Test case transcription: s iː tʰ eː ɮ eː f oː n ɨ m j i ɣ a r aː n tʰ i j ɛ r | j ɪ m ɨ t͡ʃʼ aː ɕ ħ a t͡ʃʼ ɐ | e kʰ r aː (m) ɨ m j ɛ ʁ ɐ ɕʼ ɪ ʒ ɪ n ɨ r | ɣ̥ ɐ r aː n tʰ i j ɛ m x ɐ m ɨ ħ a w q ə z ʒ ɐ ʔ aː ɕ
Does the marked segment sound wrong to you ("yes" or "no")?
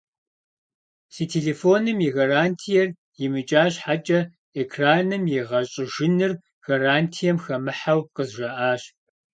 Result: yes